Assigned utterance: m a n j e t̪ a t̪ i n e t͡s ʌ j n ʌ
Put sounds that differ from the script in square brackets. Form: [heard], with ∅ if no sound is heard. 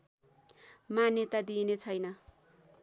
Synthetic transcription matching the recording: m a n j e t̪ a [d̪] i n e [t͡sʰ] ʌ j n ʌ